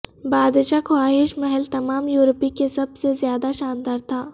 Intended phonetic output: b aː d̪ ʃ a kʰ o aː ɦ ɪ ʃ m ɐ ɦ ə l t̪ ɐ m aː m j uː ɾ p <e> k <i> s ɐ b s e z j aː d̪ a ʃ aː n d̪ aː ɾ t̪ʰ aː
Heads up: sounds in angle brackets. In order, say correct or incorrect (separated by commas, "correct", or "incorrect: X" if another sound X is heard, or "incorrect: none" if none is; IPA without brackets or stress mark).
incorrect: i, incorrect: e